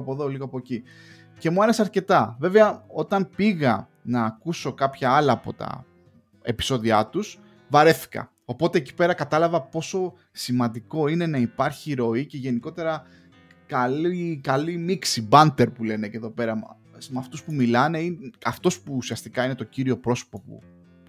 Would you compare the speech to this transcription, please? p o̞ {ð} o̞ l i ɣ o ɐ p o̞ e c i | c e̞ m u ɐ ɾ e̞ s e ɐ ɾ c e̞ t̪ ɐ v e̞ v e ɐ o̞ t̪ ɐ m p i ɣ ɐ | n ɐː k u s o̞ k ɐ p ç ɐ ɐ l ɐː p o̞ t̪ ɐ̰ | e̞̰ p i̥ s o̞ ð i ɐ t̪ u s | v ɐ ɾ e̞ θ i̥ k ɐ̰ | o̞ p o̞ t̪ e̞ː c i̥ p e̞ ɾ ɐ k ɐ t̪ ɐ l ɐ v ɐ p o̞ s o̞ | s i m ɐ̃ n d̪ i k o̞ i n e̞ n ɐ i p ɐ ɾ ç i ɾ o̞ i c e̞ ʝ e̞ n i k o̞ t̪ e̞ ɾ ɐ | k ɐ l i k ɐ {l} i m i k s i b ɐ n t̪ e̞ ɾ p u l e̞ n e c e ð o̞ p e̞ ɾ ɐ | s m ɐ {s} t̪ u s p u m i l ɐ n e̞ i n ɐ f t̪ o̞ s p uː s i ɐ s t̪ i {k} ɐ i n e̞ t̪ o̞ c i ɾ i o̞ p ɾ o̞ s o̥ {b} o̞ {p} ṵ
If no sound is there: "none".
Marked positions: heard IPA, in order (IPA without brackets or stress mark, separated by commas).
ð, l, f, k, p, p